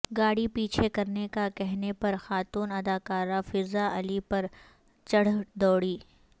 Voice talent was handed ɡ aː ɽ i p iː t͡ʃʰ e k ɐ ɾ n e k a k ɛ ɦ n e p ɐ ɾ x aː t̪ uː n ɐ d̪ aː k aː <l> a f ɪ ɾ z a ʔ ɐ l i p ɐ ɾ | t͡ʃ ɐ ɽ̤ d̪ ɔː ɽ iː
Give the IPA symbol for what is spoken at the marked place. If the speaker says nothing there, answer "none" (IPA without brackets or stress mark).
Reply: ɾ